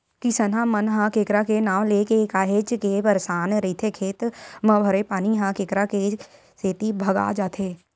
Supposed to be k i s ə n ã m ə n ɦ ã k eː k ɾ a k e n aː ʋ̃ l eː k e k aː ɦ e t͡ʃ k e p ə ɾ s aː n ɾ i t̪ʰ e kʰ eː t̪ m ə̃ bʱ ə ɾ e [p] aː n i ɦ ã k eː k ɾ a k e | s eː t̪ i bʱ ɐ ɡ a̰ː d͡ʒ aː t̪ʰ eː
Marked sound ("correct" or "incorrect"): correct